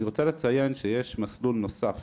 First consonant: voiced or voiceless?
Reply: voiced